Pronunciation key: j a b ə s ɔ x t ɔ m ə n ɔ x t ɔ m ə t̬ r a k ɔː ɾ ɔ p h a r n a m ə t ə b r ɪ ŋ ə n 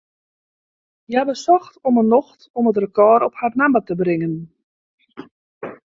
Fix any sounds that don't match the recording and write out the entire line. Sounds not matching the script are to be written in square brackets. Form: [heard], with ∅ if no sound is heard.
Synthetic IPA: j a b ə s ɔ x t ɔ m ə n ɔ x t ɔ m ə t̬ r [ə] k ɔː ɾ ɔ p h a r n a m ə t ə b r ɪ ŋ ə n

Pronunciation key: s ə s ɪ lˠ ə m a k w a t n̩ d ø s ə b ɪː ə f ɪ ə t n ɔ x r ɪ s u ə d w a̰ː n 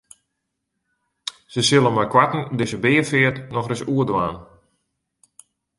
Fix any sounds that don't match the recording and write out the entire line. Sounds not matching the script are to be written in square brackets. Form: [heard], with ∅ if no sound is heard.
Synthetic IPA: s ə s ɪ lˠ ə m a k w a t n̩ d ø s ə b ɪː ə f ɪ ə t n ɔ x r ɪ s u ə d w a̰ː n

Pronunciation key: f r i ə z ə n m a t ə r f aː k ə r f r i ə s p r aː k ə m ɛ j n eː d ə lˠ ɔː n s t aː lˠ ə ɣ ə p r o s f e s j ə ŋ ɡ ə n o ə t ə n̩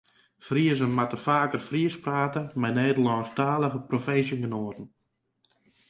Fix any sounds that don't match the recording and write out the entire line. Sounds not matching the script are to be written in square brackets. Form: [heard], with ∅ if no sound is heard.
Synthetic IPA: f r i ə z ə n m a t ə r f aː k ə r f r i ə s p r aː [t] ə m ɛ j n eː d ə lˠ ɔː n s t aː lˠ ə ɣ ə p r o [∅] f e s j ə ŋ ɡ ə n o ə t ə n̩

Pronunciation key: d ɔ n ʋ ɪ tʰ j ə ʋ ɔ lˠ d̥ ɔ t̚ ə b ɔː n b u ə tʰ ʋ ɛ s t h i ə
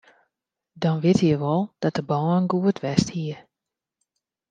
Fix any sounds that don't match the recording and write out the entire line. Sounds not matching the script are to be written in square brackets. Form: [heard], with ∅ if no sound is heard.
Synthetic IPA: d ɔ n ʋ ɪ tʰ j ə ʋ ɔ lˠ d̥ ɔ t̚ ə b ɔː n [ɡ] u ə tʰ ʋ ɛ s t h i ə

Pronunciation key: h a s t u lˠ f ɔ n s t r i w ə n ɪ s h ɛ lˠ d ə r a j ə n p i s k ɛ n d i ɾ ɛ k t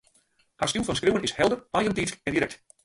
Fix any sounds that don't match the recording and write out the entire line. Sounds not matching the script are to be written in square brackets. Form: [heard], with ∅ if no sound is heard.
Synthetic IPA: h a s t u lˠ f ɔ n s [k] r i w ə n ɪ s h ɛ lˠ d ə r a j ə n [t] i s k ɛ n d i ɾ ɛ k t

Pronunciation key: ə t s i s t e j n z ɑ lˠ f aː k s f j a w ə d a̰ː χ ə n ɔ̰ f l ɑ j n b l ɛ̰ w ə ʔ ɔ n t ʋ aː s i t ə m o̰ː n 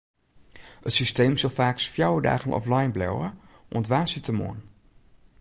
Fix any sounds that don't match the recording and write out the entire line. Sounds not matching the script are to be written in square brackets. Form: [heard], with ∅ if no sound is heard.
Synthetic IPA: ə t s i s t e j [m] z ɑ lˠ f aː k s f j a w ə d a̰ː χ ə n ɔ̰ f l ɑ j n b l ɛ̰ w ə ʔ ɔ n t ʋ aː s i t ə m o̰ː n

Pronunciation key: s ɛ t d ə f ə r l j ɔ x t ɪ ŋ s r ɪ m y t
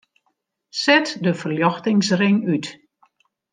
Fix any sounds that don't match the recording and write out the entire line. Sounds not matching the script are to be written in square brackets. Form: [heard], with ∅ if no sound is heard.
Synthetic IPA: s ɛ t d ə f ə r l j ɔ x t ɪ ŋ s r ɪ [ŋ] y t

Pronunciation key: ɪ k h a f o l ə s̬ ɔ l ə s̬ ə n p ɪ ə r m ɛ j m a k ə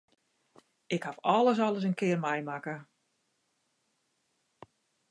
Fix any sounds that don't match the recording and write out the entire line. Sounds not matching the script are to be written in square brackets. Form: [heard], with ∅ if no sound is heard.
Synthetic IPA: ɪ k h a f [ɔ] l ə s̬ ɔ l ə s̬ ə n [k] ɪ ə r m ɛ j m a k ə

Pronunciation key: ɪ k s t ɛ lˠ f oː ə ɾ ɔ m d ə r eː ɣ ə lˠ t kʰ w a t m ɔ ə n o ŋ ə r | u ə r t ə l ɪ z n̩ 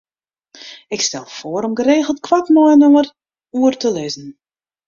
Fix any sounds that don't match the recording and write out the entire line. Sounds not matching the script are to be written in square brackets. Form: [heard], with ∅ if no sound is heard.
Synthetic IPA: ɪ k s t ɛ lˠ f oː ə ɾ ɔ m [ɡ] ə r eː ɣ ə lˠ t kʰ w a t m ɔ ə n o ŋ ə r | u ə r t ə l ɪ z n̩

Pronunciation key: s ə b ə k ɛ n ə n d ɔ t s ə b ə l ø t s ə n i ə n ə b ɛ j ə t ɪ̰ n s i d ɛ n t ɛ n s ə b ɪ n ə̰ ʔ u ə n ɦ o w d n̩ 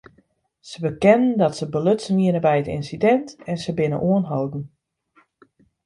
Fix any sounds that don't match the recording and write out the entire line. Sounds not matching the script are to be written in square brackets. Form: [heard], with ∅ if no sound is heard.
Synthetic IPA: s ə b ə k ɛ n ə n d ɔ t s ə b ə l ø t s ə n i ə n ə b ɛ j ə t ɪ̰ n s i d ɛ n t ɛ n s ə b ɪ n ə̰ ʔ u ə n ɦ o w d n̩

